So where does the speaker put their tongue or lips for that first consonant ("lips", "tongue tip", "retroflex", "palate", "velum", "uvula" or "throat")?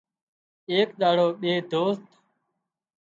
velum